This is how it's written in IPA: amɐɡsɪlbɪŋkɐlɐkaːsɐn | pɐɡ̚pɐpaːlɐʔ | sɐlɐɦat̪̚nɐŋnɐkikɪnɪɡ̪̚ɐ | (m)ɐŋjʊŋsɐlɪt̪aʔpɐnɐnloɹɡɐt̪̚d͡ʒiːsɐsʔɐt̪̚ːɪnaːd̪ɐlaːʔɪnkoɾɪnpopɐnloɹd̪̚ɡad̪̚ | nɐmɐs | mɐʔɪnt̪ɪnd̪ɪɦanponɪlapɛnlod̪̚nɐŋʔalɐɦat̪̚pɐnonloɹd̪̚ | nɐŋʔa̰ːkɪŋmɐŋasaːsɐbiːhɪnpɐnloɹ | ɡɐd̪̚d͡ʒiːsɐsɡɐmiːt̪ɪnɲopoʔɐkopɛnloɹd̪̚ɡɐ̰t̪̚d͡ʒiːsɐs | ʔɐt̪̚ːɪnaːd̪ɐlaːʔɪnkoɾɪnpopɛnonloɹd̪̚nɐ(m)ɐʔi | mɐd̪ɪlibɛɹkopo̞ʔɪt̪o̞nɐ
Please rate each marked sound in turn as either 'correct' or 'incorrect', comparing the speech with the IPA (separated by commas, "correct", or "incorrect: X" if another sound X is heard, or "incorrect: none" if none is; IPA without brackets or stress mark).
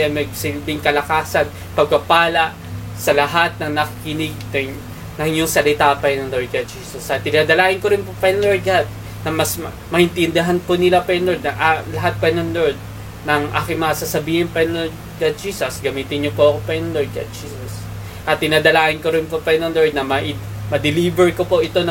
incorrect: n, correct